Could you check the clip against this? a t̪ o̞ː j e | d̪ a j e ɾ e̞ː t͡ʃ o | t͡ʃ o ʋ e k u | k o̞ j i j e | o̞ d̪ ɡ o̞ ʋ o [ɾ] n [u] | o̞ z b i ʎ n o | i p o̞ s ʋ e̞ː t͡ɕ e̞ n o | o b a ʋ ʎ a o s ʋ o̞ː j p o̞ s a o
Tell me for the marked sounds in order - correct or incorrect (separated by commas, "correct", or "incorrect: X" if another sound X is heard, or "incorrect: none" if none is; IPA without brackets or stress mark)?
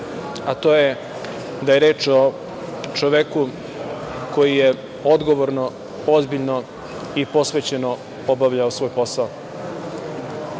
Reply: correct, incorrect: o